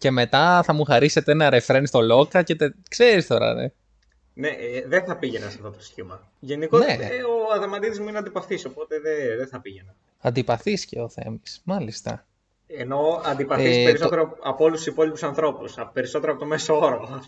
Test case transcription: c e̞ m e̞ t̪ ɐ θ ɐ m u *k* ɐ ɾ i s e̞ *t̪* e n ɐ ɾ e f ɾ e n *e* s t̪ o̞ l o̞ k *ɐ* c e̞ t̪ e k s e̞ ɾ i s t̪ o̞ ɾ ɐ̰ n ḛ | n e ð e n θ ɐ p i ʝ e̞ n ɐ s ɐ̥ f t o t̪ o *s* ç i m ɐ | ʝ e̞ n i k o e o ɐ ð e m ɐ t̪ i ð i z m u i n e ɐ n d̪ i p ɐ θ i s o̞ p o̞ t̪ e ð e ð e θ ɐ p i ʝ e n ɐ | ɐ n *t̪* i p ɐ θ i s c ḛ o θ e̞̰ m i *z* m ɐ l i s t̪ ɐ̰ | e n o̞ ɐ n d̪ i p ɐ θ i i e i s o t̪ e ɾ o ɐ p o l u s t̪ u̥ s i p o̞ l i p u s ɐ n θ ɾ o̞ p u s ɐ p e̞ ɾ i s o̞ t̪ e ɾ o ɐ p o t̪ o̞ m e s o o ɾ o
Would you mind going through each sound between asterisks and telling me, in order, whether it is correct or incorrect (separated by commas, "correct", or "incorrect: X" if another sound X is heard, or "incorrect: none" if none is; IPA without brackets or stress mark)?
incorrect: x, correct, incorrect: i, correct, correct, incorrect: d̪, incorrect: s